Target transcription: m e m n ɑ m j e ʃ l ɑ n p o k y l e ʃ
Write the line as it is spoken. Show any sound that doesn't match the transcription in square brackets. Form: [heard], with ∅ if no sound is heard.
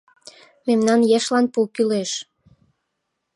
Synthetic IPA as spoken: m e m n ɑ [n] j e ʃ l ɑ n p [u] k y l e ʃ